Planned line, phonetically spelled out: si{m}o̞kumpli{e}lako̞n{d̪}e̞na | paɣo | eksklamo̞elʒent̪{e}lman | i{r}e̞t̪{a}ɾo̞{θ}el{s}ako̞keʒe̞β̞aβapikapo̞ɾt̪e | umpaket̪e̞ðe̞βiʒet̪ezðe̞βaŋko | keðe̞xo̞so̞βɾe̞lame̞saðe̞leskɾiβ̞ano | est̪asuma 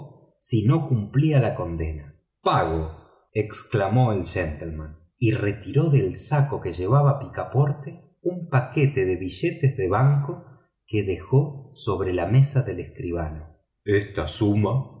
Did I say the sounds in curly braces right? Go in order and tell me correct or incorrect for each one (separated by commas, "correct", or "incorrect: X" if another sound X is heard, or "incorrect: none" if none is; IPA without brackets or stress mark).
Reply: incorrect: n, incorrect: a, correct, correct, correct, incorrect: i, incorrect: ð, correct